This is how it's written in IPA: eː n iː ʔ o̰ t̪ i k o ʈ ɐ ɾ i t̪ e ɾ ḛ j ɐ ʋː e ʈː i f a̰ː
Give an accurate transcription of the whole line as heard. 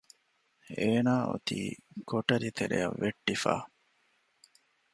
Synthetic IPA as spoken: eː n aː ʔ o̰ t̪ iː k o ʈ ɐ ɾ i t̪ e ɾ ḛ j ɐ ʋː e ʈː i f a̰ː